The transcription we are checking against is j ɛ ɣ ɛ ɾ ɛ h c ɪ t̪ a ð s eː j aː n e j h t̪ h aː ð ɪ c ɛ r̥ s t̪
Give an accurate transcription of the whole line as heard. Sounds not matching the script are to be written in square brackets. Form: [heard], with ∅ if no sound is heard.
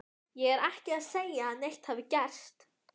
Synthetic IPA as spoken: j ɛ ɣ ɛ ɾ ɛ h c ɪ [∅] a ð s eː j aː n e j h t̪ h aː [v] ɪ c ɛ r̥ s t̪